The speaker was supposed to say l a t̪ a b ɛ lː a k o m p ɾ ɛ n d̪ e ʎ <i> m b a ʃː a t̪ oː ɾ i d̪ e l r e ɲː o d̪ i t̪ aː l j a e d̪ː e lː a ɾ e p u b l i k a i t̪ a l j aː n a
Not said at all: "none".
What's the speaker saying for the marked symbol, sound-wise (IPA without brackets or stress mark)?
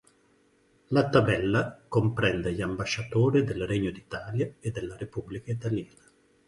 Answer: a